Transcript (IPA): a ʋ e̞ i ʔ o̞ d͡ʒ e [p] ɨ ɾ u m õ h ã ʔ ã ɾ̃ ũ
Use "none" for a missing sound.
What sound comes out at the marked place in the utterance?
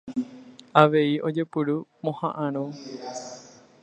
p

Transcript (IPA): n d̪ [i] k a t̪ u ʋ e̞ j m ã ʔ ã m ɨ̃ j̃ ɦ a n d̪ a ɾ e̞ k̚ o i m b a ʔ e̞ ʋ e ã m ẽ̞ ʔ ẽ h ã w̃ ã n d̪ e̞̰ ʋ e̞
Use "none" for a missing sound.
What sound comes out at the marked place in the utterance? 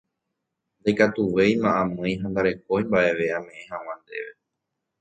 e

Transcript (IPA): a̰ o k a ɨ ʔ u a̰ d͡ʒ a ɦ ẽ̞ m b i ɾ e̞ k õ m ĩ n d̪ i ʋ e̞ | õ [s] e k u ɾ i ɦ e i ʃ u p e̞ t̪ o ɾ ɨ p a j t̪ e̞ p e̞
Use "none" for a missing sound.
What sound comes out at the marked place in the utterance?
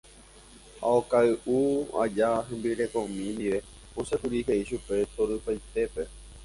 s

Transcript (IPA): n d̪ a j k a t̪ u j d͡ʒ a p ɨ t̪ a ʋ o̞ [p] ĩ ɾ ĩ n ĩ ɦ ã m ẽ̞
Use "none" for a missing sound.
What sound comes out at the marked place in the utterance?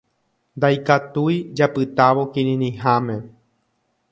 k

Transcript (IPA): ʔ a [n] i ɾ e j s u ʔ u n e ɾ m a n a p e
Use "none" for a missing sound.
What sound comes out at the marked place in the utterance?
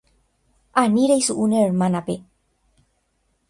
n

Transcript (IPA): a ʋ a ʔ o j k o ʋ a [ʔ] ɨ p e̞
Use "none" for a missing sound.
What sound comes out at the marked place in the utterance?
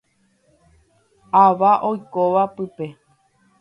p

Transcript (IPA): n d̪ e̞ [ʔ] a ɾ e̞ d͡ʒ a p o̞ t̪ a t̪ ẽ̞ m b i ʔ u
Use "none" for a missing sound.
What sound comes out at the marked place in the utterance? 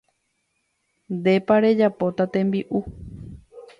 p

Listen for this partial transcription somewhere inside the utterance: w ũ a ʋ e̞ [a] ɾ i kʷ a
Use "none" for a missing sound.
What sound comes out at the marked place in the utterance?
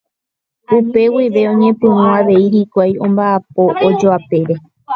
i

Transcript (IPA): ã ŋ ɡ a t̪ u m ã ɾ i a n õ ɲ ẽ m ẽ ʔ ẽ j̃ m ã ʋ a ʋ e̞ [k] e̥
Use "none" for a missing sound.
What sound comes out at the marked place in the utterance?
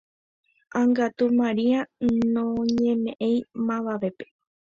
p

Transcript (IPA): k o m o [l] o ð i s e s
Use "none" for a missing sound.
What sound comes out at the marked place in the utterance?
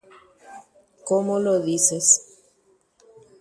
l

